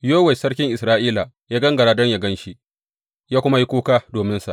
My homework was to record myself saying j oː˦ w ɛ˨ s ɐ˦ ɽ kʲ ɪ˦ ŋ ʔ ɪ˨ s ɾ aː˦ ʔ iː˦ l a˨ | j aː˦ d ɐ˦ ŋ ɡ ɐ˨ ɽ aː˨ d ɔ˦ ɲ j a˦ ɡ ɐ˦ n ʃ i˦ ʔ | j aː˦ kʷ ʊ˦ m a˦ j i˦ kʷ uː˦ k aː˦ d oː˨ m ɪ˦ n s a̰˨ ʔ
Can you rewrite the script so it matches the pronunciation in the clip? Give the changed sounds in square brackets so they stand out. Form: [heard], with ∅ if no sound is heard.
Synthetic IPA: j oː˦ w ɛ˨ s ɐ˦ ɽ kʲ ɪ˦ ŋ ʔ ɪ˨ s ɾ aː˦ ʔ iː˦ l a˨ | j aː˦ [ɡ] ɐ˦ ŋ ɡ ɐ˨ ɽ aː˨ d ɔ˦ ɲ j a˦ ɡ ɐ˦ n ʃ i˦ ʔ | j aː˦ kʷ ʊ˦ m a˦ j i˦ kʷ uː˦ k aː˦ d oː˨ m ɪ˦ n s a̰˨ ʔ